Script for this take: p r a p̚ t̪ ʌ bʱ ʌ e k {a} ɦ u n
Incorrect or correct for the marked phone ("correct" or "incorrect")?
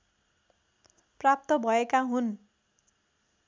correct